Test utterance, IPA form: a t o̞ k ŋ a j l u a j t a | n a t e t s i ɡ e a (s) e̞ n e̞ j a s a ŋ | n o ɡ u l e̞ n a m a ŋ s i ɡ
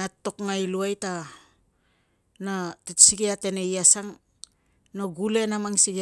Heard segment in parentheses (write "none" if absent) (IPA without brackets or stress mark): t